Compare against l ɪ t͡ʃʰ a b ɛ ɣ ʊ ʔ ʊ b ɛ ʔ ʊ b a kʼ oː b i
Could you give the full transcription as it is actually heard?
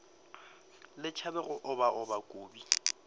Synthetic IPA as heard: l ɪ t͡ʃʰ a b ɛ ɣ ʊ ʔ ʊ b a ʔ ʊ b a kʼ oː b i